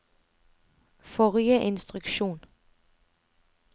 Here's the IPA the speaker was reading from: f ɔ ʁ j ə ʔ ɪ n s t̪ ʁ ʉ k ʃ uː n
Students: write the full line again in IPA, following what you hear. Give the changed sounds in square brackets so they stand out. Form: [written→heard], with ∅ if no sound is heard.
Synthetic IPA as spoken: f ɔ ʁ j ə ʔ ɪ n s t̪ ʁ ʉ k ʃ uː n